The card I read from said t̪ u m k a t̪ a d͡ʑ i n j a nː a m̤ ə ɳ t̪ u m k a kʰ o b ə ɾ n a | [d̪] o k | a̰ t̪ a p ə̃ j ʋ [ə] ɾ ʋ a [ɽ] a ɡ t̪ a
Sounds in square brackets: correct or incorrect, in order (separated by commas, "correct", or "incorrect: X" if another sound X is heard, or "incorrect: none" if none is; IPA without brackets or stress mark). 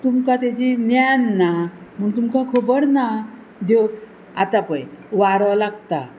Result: correct, incorrect: a, incorrect: l